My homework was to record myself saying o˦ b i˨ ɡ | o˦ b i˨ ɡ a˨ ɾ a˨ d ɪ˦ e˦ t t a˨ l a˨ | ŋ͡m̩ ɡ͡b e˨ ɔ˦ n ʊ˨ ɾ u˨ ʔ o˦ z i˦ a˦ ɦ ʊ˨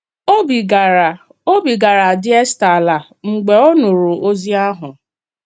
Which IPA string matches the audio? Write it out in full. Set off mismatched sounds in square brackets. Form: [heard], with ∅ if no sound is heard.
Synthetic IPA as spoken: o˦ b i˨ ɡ | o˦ b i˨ ɡ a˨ ɾ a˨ d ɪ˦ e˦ [s] t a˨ l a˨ | ŋ͡m̩ ɡ͡b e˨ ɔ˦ n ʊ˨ ɾ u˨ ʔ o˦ z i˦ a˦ ɦ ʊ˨